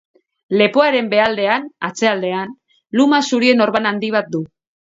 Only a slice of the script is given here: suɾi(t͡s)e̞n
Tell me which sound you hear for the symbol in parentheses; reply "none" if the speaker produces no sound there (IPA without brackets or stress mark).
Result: none